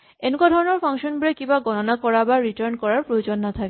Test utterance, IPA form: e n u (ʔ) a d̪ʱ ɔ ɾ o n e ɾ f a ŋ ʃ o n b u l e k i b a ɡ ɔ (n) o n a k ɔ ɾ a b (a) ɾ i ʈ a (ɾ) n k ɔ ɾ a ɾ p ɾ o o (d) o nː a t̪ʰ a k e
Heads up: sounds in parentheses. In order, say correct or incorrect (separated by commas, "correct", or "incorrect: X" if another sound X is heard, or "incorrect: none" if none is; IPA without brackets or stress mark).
incorrect: k, correct, correct, correct, incorrect: d͡ʑ